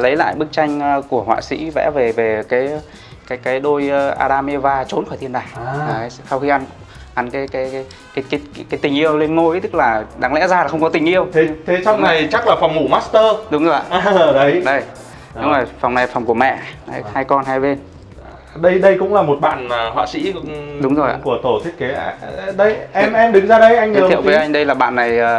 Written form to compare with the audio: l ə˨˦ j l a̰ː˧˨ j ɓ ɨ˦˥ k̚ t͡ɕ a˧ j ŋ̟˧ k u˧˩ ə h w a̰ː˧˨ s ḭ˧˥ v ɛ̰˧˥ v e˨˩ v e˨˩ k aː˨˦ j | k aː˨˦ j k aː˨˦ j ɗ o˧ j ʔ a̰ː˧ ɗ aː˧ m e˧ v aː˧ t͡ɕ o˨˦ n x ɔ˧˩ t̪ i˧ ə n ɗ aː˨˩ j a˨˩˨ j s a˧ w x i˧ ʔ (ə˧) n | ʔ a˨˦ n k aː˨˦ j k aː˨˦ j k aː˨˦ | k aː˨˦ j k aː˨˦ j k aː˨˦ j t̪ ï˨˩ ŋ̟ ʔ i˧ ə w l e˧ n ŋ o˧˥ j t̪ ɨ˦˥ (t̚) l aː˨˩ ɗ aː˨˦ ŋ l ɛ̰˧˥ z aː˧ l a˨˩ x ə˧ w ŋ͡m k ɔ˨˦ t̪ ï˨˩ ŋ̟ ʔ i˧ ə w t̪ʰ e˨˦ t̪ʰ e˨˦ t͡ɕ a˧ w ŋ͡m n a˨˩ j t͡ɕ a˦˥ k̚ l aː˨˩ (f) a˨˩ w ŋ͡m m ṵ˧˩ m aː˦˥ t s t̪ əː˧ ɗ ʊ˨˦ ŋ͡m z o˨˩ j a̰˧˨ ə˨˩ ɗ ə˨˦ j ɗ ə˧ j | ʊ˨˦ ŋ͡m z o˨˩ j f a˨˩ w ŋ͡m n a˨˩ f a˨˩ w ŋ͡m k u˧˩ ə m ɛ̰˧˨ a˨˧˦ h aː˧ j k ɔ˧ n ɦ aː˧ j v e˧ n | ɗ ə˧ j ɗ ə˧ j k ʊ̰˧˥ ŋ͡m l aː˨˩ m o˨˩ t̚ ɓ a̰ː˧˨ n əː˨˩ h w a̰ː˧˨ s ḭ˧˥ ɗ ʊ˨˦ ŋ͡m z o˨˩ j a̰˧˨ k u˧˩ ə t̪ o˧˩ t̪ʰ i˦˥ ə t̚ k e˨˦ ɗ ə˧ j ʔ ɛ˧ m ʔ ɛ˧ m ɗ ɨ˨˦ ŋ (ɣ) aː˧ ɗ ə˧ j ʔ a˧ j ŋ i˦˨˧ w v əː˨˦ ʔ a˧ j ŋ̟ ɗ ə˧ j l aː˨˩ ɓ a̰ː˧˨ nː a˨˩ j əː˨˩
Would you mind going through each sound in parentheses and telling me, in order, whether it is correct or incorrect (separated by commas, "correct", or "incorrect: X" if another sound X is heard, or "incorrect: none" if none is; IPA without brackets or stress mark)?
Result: incorrect: a˧, incorrect: k̚, correct, incorrect: z